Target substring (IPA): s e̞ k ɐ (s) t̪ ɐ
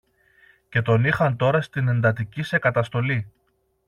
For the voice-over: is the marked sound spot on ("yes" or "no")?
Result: no